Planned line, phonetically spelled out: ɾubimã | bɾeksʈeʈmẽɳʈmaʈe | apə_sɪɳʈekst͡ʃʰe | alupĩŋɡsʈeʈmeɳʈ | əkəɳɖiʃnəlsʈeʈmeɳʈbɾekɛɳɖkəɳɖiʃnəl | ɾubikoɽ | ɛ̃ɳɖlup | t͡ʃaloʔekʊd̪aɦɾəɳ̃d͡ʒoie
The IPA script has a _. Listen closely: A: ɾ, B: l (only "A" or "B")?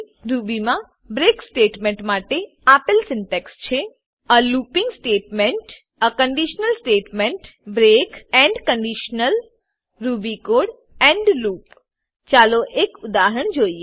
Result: B